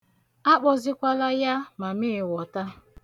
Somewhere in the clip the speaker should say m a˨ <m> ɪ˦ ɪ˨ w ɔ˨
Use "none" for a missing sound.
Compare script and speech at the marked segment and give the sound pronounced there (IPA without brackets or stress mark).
m